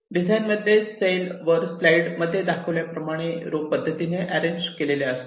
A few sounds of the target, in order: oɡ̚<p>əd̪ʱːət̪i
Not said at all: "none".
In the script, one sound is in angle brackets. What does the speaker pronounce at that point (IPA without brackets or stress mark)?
p